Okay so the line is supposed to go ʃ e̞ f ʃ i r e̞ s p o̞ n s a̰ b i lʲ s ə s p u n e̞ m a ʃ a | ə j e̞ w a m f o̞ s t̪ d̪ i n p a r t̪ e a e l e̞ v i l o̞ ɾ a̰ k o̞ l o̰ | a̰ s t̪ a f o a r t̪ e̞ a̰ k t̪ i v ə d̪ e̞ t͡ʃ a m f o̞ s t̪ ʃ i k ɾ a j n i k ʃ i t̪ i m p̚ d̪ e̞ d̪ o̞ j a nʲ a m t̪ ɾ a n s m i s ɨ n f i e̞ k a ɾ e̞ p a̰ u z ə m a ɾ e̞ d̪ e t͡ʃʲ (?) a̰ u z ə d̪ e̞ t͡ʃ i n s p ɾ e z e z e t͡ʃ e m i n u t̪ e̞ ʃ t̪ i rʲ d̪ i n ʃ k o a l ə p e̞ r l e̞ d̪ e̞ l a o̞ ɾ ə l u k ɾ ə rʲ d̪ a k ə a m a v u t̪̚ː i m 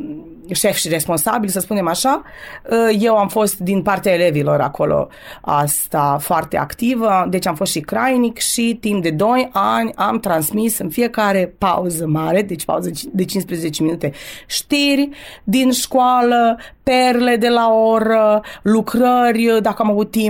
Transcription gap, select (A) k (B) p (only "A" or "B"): B